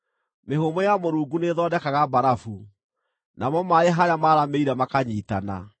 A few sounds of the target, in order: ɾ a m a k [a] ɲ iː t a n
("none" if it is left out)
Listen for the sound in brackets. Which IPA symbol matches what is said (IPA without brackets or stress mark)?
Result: a